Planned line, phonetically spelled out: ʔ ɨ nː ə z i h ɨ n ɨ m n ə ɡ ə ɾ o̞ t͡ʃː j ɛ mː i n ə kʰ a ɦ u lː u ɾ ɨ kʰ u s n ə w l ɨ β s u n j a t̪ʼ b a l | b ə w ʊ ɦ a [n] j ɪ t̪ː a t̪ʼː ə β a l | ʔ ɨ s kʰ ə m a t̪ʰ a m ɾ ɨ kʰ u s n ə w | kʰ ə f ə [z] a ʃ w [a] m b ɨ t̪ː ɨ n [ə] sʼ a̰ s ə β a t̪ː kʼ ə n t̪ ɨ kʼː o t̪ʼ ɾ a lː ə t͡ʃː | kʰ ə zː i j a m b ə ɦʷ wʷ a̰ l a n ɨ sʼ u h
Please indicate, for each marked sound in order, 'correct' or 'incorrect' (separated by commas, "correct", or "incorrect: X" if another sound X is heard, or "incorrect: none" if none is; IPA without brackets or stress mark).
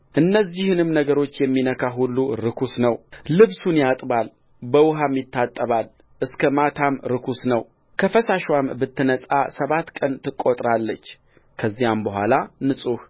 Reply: incorrect: m, incorrect: s, correct, correct